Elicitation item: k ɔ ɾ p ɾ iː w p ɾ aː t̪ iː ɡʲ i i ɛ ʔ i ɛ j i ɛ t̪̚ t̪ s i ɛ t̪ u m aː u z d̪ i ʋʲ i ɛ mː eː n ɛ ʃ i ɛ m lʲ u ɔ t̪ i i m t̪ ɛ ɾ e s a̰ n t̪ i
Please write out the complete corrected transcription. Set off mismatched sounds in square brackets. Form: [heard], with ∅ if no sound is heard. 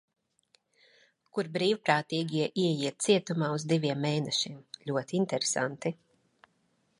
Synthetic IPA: k [u] ɾ [b] ɾ iː w p ɾ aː t̪ iː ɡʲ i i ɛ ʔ i ɛ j i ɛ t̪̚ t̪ s i ɛ t̪ u m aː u z d̪ i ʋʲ i ɛ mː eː n ɛ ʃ i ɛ m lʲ u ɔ t̪ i i [n] t̪ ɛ ɾ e s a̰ n t̪ i